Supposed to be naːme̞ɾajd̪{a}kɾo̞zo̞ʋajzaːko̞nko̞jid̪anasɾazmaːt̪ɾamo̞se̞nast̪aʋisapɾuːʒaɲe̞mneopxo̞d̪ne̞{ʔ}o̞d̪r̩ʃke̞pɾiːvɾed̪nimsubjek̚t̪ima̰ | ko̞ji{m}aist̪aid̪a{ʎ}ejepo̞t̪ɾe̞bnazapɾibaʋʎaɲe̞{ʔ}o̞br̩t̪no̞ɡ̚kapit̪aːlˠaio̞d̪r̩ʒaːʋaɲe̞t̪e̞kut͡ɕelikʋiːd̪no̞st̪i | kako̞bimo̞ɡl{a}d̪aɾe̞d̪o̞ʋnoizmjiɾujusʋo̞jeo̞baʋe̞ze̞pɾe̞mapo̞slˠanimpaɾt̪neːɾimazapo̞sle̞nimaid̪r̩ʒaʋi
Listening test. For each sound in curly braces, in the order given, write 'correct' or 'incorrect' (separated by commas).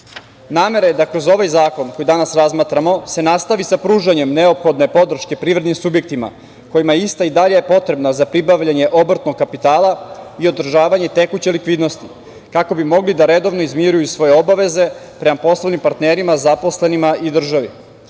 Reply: correct, incorrect, correct, correct, correct, incorrect